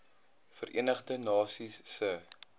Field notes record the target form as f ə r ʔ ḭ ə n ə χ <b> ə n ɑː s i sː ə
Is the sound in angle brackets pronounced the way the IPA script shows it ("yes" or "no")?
no